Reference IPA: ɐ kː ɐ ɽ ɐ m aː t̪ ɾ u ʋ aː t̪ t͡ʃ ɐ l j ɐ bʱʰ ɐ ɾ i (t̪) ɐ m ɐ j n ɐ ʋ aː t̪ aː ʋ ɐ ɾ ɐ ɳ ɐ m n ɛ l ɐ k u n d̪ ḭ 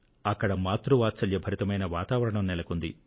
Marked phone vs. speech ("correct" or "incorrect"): correct